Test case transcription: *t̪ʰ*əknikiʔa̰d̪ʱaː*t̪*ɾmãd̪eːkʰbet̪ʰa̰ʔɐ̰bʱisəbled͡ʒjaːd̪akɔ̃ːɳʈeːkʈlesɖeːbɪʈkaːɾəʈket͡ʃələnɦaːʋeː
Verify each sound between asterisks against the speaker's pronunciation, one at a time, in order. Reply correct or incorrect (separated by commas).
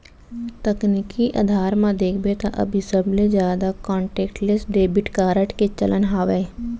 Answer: incorrect, incorrect